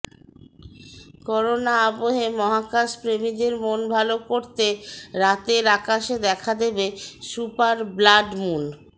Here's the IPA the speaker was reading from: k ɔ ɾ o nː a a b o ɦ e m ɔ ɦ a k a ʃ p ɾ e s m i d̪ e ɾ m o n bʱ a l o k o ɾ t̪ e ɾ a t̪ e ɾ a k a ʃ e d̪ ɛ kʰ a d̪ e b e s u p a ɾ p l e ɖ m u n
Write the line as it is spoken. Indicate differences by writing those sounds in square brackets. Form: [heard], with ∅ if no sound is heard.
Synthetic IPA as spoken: k ɔ ɾ o [n] a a b o ɦ e m ɔ ɦ a k a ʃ p ɾ e [∅] m i d̪ e ɾ m o n bʱ a l o k o ɾ t̪ e ɾ a t̪ e ɾ a k a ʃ e d̪ ɛ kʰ a d̪ e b e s u p a ɾ [b] l [a] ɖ m u n